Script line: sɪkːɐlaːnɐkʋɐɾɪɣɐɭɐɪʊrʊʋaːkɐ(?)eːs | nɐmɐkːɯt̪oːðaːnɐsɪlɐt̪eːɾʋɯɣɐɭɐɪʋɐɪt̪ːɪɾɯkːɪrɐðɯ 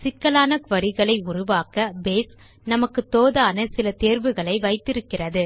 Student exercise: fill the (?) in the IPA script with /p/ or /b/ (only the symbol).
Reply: b